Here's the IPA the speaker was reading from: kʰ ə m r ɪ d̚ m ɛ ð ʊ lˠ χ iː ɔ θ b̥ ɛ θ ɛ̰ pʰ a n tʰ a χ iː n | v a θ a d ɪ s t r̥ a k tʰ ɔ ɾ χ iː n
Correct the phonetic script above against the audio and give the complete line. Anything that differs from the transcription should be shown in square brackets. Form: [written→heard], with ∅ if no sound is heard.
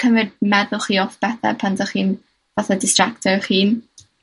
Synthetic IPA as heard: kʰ ə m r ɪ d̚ m ɛ ð ʊ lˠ χ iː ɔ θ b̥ ɛ θ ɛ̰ pʰ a n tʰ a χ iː n | v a θ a d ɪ s t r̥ a k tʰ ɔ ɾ χ iː n

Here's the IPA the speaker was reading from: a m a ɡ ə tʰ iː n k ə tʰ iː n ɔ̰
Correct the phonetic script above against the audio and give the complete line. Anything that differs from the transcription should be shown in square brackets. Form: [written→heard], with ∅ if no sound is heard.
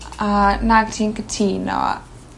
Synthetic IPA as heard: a [m→n] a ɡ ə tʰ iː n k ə tʰ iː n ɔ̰

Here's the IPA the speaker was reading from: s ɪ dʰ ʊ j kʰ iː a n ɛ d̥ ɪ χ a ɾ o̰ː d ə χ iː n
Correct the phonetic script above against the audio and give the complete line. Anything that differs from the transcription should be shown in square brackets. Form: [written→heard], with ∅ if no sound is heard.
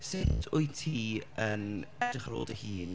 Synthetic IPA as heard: s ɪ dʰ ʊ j [kʰ→tʰ] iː [a→ə] n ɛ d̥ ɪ χ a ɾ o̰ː d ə [χ→h] iː n

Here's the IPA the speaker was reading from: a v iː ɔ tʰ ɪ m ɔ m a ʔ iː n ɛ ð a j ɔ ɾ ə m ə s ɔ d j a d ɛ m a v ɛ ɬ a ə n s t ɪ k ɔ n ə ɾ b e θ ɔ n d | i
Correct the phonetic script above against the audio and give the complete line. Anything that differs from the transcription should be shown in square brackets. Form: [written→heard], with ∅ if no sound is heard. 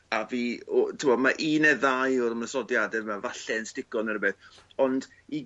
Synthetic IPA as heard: a v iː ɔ tʰ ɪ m ɔ m a ʔ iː n ɛ ð a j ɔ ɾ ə m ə s ɔ d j a d ɛ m a v [ɛ→a] ɬ [a→ɛ] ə n s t ɪ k ɔ n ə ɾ b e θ ɔ n d | i

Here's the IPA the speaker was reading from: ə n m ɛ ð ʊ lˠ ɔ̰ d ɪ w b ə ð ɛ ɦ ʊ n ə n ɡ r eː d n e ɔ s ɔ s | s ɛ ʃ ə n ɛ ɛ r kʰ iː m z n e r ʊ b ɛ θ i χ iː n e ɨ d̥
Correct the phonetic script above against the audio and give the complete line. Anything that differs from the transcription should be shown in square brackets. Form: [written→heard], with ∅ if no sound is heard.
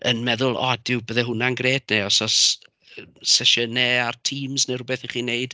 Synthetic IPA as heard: ə n m ɛ ð ʊ lˠ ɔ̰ d ɪ w b ə ð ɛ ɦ ʊ n [ə→a] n ɡ r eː d n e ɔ s ɔ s | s ɛ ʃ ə n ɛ [ɛ→a] r [kʰ→tʰ] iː m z n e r ʊ b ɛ θ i χ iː n e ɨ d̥

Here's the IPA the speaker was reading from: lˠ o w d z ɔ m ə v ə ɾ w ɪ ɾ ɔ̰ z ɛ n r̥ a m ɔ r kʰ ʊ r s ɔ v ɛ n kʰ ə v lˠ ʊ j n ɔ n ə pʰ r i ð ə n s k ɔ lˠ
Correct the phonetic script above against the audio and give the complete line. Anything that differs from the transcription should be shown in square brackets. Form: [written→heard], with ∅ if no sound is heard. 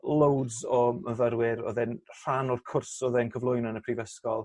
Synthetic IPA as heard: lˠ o w d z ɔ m ə v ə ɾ w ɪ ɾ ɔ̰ [z→ð] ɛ n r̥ a [m→n] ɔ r kʰ ʊ r s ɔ [v→ð] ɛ n kʰ ə v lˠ ʊ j n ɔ n ə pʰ r i [ð→v] ə [n→∅] s k ɔ lˠ

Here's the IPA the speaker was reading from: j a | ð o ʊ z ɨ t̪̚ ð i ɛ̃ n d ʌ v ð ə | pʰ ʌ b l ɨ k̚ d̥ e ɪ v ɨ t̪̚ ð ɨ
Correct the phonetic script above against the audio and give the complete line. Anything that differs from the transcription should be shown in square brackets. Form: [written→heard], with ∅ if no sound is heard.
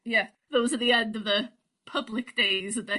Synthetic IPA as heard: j [a→æ] | ð o ʊ z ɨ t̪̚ ð i ɛ̃ n d ʌ v ð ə | pʰ ʌ b l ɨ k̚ d̥ e ɪ [v→z] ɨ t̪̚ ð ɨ

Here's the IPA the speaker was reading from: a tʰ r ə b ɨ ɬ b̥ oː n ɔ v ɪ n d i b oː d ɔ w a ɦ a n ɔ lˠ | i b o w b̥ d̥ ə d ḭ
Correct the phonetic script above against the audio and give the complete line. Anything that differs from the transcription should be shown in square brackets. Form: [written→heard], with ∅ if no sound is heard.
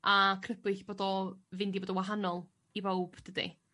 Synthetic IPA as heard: a [tʰ→kʰ] r ə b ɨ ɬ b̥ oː [n→d] ɔ v ɪ n d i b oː d ɔ w a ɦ a n ɔ lˠ | i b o w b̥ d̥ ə d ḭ

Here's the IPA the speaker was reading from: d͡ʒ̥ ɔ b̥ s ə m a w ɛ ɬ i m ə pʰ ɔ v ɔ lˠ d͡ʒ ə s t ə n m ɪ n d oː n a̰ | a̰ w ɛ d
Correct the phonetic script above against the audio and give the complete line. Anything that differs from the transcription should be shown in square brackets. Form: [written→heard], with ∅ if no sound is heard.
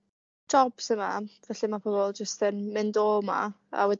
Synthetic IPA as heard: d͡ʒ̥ ɔ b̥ s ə m a [w→v] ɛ ɬ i m [ə→a] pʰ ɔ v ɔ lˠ d͡ʒ ə s t ə n m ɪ n d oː [n→m] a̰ | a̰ w ɛ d

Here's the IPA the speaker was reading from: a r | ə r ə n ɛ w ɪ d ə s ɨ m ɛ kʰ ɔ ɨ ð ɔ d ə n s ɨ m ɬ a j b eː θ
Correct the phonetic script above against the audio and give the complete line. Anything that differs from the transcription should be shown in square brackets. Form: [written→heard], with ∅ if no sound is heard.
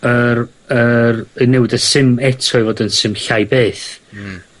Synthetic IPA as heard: [a→ə] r | ə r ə n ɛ w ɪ d ə s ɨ m ɛ [kʰ→tʰ] ɔ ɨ [ð→v] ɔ d ə n s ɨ m ɬ a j b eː θ

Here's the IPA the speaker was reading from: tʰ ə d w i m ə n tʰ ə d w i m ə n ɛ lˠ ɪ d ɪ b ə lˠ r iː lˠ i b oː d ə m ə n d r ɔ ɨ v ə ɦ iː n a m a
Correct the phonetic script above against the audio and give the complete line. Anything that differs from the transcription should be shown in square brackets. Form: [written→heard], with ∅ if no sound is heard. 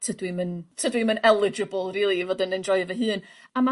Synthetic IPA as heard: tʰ ə d w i m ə n tʰ ə d w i m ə n ɛ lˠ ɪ [d→d͡ʒ] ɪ b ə lˠ r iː lˠ i [b→v] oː d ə [m→n] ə n d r ɔ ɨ v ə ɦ [iː→ɨː] n a m a

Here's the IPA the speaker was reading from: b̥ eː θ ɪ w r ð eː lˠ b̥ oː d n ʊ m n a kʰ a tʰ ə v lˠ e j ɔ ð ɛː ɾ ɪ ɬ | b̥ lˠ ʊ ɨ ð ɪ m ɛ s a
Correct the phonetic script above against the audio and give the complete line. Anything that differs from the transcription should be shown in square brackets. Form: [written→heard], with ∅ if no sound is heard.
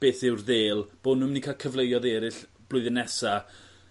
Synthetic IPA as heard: b̥ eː θ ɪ w r ð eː lˠ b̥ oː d n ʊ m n [a→i] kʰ a [tʰ→kʰ] ə v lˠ e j ɔ ð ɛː ɾ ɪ ɬ | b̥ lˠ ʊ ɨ ð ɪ [m→n] ɛ s a

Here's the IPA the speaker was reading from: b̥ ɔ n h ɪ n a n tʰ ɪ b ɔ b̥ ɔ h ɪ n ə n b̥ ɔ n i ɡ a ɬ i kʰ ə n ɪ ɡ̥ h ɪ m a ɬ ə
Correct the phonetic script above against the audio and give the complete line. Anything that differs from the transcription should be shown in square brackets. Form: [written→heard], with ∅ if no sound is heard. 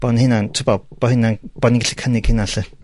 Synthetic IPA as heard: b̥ ɔ n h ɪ n a n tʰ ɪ b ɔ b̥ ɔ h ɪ n [ə→a] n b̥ ɔ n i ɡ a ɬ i kʰ ə n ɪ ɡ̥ h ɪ [m→n] a ɬ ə

